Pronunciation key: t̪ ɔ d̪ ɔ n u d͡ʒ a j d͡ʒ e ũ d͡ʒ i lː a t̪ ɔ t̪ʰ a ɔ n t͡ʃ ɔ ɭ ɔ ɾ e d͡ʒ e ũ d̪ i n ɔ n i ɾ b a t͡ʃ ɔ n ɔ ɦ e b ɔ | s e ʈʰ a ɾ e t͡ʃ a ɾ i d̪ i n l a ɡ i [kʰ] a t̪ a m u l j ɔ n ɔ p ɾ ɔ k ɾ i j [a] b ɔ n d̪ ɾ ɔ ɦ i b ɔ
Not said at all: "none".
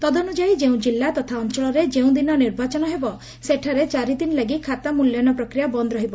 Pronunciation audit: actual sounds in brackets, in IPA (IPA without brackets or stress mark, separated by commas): kʰ, a